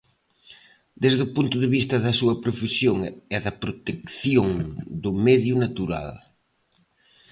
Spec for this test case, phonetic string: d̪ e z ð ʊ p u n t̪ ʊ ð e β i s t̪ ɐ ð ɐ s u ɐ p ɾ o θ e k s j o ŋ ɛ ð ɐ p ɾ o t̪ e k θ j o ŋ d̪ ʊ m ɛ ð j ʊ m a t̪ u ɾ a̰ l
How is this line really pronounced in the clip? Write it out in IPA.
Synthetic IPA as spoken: d̪ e z ð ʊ p u n t̪ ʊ ð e β i s t̪ ɐ ð ɐ s u ɐ p ɾ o f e s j o ŋ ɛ ð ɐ p ɾ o t̪ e k θ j o ŋ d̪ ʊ m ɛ ð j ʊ n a t̪ u ɾ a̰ l